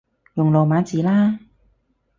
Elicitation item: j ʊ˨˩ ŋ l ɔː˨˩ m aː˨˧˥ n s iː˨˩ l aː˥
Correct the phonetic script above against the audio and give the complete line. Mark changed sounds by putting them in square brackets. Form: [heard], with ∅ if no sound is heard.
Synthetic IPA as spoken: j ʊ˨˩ ŋ l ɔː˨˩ m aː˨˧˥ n [t͡s] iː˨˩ l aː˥